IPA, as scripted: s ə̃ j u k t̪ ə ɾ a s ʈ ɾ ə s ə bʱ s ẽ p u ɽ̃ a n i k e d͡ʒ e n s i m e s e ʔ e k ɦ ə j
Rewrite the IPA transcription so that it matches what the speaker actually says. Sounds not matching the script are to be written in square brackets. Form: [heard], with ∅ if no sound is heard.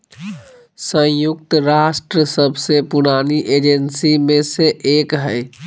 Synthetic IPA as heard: s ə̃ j u k t̪ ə ɾ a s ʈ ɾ ə s ə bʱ s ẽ p u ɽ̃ a n i [ʔ] e d͡ʒ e n s i m e s e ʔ e k ɦ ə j